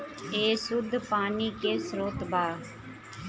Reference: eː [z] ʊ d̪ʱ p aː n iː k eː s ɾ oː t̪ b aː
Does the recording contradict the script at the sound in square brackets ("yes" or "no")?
yes